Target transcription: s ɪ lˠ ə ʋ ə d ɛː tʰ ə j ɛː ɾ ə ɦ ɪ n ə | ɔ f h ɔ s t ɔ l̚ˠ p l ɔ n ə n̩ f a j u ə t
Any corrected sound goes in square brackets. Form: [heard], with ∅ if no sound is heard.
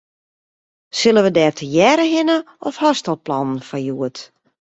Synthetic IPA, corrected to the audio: s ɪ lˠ ə ʋ ə d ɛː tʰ ə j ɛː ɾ ə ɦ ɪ n ə | ɔ f h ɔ s t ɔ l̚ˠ p l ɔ n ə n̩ f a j u ə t